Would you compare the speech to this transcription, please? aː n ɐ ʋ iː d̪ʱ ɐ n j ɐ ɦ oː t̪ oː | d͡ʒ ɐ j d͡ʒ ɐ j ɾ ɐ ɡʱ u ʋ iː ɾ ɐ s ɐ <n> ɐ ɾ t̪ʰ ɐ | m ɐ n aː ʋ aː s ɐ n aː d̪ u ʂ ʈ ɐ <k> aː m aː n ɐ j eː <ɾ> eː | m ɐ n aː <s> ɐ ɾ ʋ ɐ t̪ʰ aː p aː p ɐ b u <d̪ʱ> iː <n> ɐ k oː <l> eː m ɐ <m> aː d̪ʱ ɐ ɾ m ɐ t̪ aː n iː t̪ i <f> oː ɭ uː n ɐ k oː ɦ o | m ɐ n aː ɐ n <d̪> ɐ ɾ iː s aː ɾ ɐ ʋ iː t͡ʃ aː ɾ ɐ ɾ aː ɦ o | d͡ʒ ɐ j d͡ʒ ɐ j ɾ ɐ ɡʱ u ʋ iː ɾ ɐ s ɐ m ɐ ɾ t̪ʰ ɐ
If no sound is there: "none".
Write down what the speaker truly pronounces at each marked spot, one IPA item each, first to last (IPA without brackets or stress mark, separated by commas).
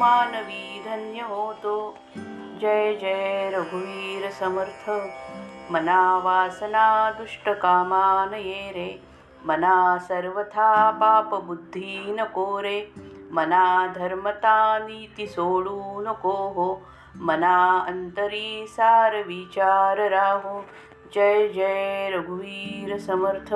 m, k, ɾ, s, d̪ʱː, n, ɾ, n, s, t̪